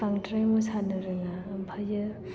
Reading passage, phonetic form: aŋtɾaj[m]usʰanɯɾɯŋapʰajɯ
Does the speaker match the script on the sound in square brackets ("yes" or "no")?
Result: yes